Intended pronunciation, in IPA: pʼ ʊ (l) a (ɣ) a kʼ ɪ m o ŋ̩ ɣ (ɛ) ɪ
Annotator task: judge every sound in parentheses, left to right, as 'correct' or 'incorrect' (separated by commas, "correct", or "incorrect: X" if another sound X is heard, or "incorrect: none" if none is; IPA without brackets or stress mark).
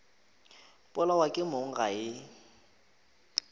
correct, incorrect: w, incorrect: a